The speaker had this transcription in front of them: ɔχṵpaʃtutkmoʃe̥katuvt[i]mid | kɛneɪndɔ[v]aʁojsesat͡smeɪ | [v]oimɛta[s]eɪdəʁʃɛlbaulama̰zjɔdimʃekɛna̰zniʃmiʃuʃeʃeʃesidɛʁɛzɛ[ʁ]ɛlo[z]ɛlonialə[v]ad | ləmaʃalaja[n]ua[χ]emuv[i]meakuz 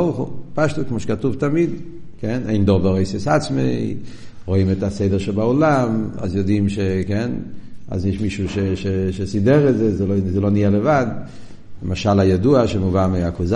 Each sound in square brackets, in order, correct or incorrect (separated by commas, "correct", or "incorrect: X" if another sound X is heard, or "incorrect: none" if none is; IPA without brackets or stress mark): incorrect: a, correct, incorrect: ʁ, correct, incorrect: z, correct, correct, incorrect: d, incorrect: ʃ, incorrect: a